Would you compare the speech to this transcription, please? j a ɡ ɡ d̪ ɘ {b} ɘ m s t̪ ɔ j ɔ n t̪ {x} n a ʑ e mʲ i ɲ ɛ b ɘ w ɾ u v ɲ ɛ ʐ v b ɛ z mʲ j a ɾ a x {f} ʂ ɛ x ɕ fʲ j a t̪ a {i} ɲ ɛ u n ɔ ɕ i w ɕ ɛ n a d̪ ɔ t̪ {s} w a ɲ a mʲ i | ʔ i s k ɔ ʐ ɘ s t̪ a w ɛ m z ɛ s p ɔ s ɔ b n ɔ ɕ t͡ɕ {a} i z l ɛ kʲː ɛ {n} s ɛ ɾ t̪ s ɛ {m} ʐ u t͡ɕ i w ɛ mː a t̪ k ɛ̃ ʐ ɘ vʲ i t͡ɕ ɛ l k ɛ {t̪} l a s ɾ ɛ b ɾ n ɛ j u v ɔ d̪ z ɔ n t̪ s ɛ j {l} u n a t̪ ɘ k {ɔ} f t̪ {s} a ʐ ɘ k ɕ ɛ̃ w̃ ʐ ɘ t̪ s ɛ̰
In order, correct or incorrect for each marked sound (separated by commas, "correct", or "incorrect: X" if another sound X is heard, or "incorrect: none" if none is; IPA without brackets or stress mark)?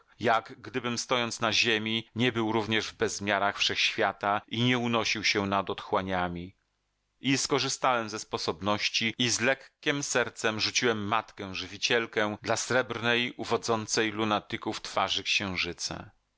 correct, incorrect: s, correct, correct, incorrect: x, incorrect: i, incorrect: m, correct, incorrect: d̪, correct, incorrect: u, incorrect: f